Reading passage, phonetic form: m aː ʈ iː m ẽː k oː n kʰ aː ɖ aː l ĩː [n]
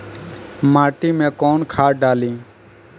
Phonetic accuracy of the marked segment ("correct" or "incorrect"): incorrect